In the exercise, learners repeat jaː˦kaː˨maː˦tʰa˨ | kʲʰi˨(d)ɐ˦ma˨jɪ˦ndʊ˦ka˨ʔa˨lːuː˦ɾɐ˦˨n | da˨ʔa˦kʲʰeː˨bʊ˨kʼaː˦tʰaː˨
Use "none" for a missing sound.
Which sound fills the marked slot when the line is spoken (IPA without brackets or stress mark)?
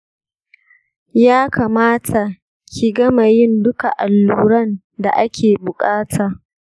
ɡ